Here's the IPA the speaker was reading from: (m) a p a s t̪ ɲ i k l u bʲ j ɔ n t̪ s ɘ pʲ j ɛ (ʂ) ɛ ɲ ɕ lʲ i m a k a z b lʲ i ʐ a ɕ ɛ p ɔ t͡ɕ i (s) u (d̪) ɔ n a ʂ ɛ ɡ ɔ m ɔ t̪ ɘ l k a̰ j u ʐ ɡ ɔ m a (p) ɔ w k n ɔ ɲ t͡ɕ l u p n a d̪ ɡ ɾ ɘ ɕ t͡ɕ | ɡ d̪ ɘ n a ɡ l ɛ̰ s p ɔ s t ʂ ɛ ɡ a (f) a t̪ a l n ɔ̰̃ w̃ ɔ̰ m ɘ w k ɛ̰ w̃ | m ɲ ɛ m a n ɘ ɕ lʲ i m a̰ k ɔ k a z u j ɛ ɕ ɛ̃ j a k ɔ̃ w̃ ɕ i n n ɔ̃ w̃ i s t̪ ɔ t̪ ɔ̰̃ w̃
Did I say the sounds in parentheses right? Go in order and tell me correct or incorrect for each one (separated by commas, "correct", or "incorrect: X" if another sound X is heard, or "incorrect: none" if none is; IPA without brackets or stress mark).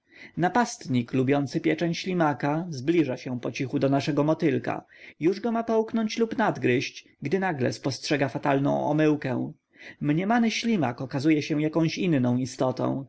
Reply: incorrect: n, incorrect: t͡ʂ, incorrect: x, correct, correct, correct